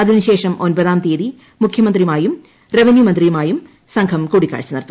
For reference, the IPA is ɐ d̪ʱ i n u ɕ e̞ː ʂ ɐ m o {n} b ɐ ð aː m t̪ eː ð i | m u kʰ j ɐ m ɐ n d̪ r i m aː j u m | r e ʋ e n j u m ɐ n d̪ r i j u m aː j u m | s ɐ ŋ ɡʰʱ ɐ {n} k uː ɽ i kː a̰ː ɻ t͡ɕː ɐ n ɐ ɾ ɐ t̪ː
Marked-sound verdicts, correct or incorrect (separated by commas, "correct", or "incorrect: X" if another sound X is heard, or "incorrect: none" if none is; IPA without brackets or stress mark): correct, incorrect: m